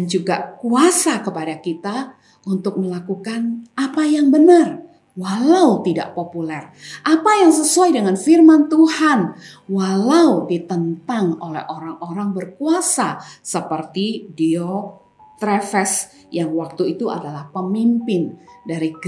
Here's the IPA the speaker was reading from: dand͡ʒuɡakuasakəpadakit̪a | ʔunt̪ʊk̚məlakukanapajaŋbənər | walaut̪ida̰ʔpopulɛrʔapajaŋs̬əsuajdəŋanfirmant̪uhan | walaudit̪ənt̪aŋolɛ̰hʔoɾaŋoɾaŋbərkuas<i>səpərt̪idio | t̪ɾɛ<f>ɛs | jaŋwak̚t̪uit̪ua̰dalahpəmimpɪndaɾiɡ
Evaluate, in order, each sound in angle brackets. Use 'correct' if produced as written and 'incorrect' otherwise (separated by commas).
incorrect, correct